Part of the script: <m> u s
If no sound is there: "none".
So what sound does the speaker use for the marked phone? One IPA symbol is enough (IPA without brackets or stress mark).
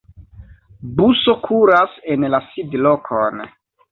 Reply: b